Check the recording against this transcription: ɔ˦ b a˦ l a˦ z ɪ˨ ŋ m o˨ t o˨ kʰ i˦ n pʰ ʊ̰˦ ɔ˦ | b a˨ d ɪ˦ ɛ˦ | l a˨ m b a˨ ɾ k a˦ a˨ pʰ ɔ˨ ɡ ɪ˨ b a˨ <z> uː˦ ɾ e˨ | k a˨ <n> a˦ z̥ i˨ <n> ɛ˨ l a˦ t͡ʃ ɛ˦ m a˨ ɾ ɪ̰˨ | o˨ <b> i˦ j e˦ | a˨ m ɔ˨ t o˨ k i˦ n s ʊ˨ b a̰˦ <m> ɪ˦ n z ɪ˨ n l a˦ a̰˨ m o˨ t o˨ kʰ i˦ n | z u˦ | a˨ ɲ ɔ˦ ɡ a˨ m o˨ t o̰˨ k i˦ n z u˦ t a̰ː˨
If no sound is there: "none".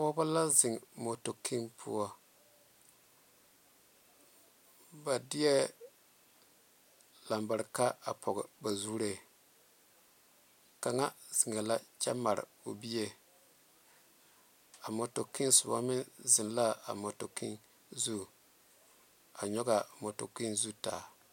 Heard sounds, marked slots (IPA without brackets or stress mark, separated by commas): z, ŋ, ŋ, b, m